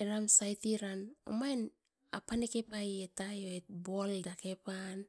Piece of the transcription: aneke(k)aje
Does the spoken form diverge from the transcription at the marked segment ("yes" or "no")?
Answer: yes